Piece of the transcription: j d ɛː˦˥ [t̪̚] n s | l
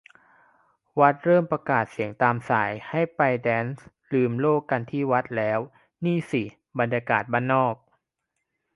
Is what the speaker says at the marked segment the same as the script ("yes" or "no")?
no